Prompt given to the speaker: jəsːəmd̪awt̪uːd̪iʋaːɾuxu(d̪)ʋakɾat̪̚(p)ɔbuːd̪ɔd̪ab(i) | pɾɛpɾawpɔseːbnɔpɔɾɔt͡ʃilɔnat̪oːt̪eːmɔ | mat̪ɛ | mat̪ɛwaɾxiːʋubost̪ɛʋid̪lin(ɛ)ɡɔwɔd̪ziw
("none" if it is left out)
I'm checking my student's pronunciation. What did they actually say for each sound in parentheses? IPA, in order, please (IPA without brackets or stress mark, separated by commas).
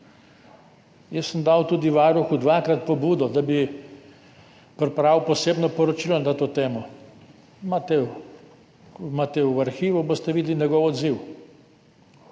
d̪, p, i, ɛ